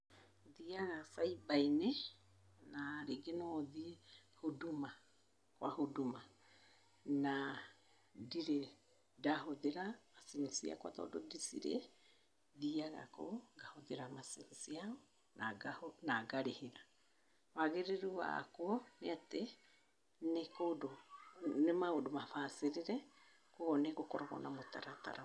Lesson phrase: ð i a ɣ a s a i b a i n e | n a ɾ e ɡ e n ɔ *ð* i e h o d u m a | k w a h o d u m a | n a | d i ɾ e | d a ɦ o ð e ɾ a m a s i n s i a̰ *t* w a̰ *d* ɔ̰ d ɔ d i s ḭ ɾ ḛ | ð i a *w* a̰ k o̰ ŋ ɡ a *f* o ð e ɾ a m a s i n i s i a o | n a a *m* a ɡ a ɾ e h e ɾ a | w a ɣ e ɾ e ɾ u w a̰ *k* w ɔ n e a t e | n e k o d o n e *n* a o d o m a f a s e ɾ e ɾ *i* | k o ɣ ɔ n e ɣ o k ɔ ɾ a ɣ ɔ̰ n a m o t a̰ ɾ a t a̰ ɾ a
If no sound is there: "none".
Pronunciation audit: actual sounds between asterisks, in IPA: ð, k, t, ɣ, h, n, k, m, ɛ

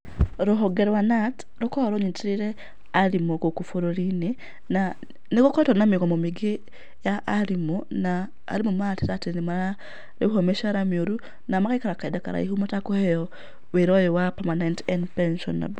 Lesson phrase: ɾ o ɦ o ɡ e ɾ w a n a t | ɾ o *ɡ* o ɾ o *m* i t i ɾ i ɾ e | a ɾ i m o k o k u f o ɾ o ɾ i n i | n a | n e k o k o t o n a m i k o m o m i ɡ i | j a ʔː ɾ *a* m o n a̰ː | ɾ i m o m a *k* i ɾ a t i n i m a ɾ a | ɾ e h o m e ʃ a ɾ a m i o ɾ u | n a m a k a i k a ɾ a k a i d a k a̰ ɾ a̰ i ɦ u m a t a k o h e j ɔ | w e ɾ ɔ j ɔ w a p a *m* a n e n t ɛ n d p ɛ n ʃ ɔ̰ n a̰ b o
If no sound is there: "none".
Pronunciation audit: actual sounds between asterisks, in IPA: k, ɲ, i, t, m

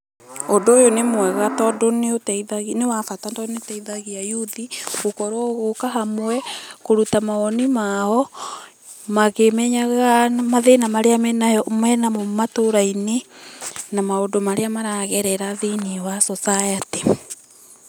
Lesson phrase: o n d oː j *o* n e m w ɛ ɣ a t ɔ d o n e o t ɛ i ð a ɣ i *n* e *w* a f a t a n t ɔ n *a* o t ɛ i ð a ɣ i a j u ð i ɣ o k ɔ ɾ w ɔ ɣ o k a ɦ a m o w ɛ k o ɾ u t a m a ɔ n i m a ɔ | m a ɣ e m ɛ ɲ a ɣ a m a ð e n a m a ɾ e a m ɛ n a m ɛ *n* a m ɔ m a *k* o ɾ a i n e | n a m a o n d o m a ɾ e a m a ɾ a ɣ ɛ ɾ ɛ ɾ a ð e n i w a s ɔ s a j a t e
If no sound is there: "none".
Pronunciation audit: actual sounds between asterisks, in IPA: o, n, w, e, n, t

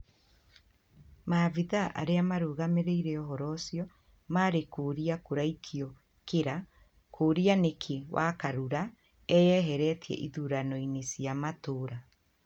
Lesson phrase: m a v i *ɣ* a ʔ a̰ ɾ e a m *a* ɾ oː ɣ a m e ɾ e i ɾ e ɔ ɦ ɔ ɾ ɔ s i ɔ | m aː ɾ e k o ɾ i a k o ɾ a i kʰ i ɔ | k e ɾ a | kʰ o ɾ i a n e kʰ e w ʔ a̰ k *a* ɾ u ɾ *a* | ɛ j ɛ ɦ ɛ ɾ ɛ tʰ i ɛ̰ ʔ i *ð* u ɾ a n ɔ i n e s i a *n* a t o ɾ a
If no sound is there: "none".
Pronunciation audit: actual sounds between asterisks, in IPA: ð, a, a, a, ð, m

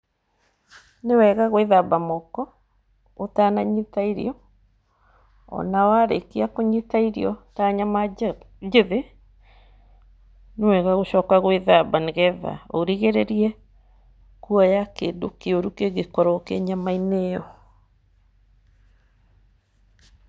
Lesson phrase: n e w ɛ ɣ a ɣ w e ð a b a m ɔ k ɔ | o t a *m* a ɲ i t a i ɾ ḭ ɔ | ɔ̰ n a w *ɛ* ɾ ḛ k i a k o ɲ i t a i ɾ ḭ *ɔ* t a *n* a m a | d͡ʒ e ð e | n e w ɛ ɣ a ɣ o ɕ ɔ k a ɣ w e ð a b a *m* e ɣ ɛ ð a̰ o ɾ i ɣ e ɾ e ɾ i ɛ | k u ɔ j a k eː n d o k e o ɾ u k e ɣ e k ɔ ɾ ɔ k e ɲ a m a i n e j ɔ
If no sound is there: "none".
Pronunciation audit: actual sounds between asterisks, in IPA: n, a, ɔ, ɲ, n

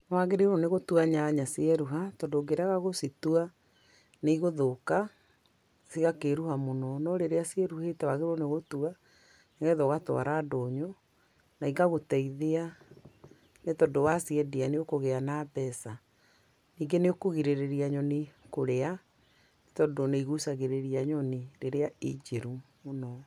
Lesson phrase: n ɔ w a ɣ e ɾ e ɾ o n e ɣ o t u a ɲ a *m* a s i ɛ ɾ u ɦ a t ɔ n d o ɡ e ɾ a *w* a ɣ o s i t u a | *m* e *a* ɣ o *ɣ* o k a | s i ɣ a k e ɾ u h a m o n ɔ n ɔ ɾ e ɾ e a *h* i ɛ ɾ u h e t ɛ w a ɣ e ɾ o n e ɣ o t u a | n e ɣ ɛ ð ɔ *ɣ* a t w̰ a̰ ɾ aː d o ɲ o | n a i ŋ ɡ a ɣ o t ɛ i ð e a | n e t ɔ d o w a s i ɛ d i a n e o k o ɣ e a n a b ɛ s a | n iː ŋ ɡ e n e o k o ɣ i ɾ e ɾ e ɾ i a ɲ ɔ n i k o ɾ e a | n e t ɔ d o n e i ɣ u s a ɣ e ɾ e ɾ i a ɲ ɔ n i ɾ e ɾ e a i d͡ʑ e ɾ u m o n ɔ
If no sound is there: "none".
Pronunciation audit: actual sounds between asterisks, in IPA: ɲ, ɣ, n, i, ð, s, ɣ

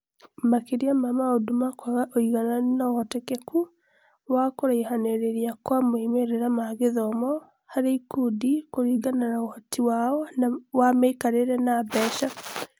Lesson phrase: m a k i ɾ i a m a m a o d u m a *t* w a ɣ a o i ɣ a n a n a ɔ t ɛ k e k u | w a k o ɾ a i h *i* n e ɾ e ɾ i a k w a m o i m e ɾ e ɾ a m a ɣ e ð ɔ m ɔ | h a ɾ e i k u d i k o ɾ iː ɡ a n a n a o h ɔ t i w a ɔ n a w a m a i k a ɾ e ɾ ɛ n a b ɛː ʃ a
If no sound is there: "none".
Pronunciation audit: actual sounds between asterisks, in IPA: k, a

